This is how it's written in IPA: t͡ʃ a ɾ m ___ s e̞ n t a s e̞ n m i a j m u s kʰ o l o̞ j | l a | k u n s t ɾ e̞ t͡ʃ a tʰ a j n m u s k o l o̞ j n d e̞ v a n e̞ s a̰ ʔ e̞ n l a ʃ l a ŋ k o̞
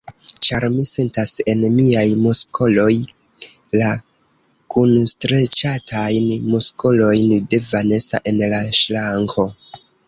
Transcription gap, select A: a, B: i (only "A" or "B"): B